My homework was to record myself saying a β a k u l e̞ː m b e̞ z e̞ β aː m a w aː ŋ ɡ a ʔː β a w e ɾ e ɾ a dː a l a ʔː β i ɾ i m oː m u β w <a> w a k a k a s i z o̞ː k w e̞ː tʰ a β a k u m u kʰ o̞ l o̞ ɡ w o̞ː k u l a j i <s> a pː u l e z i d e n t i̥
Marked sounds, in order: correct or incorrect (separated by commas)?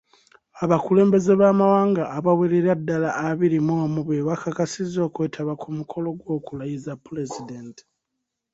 incorrect, incorrect